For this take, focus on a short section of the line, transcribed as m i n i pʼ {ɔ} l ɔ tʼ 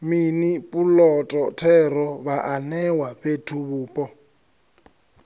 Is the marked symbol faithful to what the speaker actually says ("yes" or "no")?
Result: no